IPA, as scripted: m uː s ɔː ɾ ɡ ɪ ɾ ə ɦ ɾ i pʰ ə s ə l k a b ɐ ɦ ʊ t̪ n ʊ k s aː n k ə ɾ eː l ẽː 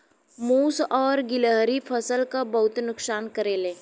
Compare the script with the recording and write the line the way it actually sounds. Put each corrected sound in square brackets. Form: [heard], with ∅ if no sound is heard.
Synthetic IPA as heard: m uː s ɔː ɾ ɡ ɪ [l] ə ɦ ɾ i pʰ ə s ə l k a b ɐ ɦ ʊ t̪ n ʊ k s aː n k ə ɾ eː l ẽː